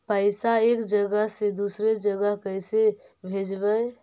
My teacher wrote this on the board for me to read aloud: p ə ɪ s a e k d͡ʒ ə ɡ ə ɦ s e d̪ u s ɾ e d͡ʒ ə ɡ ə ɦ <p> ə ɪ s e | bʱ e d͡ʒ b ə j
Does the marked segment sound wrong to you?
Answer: yes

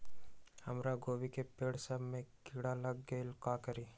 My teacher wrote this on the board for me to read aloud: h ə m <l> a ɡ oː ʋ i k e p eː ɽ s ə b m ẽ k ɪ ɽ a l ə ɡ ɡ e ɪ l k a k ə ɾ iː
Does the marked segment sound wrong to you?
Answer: yes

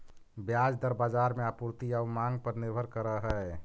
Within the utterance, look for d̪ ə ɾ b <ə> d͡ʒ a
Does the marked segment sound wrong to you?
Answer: yes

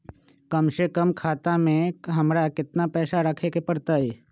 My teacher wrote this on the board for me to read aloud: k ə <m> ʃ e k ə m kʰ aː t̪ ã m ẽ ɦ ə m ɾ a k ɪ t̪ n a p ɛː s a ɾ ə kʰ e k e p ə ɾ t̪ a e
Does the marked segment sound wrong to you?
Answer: no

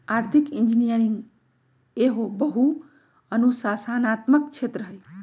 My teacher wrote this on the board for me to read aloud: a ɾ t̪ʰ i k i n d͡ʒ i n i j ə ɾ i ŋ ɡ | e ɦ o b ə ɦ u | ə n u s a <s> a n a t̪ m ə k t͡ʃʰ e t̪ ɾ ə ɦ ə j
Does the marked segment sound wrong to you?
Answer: no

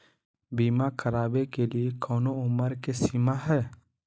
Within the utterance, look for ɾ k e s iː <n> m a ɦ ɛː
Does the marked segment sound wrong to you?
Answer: yes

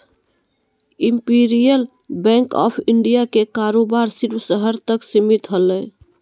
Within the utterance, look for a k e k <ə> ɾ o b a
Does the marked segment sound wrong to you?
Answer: yes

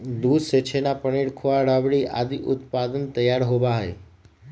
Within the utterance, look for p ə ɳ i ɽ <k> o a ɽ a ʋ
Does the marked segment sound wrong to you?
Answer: yes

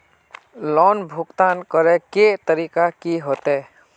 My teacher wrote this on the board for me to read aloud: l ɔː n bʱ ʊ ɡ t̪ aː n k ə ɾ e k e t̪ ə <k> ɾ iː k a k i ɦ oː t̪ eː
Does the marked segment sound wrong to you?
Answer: yes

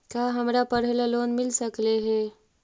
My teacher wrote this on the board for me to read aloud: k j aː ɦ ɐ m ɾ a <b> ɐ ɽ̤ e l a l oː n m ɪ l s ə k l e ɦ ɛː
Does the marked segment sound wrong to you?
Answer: yes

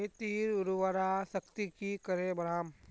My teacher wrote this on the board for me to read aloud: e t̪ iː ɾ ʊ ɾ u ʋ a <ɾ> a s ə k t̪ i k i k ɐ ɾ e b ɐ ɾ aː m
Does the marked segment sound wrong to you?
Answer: no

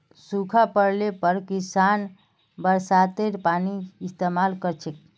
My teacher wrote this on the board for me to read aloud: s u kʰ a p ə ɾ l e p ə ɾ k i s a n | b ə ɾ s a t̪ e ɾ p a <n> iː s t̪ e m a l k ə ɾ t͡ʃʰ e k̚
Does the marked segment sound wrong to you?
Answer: no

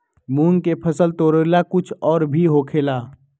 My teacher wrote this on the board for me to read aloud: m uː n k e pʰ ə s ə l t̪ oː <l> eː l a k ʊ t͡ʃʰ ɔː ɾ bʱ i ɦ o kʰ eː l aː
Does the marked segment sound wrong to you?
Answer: yes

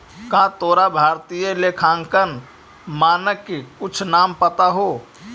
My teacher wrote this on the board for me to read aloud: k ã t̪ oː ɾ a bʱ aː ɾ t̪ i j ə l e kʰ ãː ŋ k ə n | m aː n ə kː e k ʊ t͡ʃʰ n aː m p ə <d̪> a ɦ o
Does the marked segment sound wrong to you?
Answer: yes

